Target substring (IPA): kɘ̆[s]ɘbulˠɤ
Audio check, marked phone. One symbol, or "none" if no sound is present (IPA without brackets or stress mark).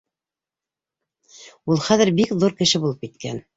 ʃ